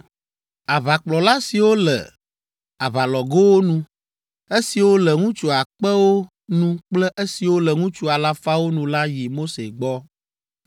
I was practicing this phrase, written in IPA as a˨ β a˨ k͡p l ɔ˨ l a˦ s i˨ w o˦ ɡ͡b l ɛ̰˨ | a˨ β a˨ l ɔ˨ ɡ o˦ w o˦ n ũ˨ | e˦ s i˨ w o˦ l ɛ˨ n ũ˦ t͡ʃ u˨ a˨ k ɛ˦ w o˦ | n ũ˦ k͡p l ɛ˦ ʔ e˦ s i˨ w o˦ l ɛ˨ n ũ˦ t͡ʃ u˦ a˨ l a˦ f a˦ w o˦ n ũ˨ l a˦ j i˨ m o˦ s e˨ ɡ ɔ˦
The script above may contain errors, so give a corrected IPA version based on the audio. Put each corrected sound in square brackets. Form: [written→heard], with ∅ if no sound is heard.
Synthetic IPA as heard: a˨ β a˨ k͡p l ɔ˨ l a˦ s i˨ w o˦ [ɡ͡b→∅] l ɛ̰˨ | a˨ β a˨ l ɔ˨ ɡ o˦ w o˦ n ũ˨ | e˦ s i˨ w o˦ l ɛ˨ [n→ŋ] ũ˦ t͡ʃ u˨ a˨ [k→k͡p] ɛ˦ w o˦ | n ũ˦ k͡p l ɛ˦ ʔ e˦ s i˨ w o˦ l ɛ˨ [n→ŋ] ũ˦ t͡ʃ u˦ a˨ l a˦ f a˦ w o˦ n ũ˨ l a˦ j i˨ m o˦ s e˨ [ɡ→ɡ͡b] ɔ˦

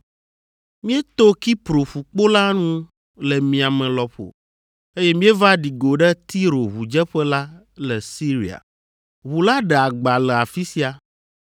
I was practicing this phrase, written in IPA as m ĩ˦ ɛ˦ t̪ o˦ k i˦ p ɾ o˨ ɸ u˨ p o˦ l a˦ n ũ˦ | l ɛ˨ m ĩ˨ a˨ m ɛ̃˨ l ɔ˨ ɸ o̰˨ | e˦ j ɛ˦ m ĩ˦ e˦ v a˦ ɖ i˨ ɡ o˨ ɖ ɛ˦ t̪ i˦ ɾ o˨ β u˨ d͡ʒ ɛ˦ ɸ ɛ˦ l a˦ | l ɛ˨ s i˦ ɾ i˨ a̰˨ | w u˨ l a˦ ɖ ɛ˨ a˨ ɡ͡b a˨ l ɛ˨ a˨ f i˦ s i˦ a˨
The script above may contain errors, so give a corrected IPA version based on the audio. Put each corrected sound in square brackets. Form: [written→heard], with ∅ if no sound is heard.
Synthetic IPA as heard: m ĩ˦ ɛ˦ t̪ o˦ k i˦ p ɾ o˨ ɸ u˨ [p→k͡p] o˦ l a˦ n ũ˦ | l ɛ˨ m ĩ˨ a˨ m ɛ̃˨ l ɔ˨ ɸ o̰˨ | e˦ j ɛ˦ m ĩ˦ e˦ v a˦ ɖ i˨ ɡ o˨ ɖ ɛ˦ t̪ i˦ ɾ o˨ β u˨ d͡ʒ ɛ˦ ɸ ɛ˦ l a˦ | l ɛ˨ s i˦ ɾ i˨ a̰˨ | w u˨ l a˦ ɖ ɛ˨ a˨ ɡ͡b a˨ l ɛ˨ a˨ f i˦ s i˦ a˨

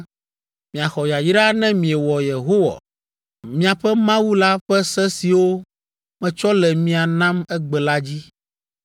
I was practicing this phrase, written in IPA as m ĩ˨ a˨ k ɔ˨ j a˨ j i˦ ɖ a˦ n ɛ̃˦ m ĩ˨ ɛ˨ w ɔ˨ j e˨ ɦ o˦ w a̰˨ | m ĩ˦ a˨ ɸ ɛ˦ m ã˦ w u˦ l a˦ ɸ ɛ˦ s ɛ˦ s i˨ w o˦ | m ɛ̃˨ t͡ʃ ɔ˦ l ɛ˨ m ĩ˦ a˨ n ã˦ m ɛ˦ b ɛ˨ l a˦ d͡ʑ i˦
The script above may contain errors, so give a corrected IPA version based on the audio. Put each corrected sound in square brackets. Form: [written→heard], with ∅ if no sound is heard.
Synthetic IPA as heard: m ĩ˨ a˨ [k→x] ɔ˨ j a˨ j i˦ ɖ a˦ n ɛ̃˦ m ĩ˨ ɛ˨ w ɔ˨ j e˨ ɦ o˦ w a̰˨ | m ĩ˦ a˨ ɸ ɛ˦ m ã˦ w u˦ l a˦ ɸ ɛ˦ s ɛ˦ s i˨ w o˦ | m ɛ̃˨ t͡ʃ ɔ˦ l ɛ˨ m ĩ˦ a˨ n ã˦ m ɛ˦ [b→ɡ͡b] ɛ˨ l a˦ d͡ʑ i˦

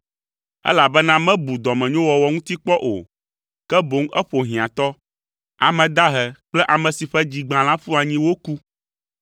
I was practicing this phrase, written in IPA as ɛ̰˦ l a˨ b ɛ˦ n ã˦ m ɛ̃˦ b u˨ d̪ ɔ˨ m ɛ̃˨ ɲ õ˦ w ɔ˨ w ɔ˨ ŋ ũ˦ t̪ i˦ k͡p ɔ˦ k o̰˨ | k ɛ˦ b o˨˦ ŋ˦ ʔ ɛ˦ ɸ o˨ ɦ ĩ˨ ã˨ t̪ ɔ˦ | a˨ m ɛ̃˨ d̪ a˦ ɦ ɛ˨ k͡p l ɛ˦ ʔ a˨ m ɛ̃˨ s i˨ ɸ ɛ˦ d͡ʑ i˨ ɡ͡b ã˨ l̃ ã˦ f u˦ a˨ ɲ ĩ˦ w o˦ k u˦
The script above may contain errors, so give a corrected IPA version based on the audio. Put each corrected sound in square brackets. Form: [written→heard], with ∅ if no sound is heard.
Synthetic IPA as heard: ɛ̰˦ l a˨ b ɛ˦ n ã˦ m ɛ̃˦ b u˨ d̪ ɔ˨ m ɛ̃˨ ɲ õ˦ w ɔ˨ w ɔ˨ ŋ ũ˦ t̪ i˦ k͡p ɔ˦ [k→ʔ] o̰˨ | k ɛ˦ b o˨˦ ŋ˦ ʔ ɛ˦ ɸ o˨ ɦ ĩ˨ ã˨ t̪ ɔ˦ | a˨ m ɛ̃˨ d̪ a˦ ɦ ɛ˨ k͡p l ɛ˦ ʔ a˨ m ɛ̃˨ s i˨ ɸ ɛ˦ d͡ʑ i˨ ɡ͡b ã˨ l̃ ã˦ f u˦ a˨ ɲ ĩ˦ w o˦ k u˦

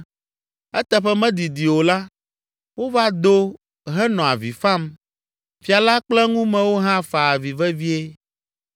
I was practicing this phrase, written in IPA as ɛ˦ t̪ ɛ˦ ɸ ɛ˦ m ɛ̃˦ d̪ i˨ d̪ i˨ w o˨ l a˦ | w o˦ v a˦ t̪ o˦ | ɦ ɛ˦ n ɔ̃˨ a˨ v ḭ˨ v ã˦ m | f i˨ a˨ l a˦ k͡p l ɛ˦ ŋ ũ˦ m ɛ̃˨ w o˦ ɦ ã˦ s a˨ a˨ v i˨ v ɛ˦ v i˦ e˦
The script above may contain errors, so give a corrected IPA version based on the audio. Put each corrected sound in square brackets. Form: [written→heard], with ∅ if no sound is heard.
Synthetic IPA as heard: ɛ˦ t̪ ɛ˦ ɸ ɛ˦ m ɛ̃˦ d̪ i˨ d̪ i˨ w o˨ l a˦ | w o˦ v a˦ [t̪→d̪] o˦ | ɦ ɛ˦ n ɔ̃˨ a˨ v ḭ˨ [v→f] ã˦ m | f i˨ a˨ l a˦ k͡p l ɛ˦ ŋ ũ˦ m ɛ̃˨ w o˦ ɦ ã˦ [s→f] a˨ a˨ v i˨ v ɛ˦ v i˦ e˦

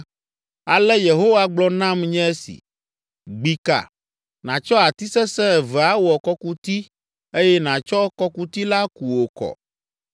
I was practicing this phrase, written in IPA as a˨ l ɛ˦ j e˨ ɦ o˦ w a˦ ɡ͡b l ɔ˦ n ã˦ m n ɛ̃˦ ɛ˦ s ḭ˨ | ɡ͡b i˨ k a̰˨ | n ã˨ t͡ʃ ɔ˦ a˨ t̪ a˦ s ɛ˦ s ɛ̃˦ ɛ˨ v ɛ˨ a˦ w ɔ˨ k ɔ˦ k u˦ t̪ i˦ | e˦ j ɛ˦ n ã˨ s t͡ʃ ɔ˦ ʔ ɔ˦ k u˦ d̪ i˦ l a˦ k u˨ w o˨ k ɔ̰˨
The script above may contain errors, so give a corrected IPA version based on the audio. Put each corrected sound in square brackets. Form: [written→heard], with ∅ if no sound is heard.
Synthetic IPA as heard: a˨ l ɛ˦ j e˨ ɦ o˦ w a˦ ɡ͡b l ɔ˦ n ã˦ m [n→ɲ] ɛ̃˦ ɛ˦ s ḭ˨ | ɡ͡b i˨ k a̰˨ | n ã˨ t͡ʃ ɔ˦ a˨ t̪ [a˦→i˦] s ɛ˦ s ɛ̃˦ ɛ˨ v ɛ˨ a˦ w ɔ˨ k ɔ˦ k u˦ t̪ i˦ | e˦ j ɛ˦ n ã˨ [s→∅] t͡ʃ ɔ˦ [ʔ→k] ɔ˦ k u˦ [d̪→t̪] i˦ l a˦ k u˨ w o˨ k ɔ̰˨

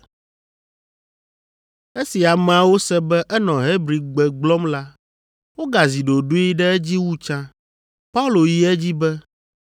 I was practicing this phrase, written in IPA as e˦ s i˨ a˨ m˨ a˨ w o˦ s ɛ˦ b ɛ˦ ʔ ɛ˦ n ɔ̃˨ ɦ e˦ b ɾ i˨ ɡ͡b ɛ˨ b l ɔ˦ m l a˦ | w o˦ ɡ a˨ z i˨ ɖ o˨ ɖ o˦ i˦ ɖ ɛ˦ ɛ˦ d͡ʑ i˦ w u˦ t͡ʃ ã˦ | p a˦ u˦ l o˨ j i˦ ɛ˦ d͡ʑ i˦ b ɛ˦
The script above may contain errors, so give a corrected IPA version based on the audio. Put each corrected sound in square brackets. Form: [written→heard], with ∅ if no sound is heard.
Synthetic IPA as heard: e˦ s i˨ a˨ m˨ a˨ w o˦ s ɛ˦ b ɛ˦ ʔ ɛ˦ n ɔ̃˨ ɦ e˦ b ɾ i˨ ɡ͡b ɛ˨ [b→ɡ͡b] l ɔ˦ m l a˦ | w o˦ ɡ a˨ z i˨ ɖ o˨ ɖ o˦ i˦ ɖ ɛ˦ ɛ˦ d͡ʑ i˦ w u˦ t͡ʃ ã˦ | p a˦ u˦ l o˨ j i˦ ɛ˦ d͡ʑ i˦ b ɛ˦

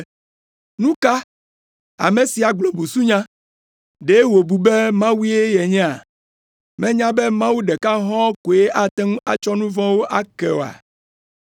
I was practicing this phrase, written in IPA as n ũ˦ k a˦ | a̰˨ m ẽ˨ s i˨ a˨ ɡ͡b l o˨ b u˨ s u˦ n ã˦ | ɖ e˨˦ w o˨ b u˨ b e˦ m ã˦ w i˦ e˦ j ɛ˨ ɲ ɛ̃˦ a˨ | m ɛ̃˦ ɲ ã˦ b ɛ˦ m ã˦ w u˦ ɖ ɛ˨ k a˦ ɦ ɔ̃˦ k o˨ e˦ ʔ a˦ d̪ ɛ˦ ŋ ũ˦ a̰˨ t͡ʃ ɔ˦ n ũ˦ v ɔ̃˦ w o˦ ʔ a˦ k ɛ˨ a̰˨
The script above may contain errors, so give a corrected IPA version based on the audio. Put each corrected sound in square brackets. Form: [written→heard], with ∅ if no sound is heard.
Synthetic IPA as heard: n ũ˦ k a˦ | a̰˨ m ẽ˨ s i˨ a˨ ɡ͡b l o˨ b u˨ s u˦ [n→ɲ] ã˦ | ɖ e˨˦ w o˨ b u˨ b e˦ m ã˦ w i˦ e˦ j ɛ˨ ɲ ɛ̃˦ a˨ | m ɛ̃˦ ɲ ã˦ b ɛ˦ m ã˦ w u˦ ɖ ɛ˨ k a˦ ɦ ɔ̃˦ k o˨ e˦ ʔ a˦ [d̪→t̪] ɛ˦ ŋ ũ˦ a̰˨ t͡ʃ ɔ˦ n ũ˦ v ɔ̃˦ w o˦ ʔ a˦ k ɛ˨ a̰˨

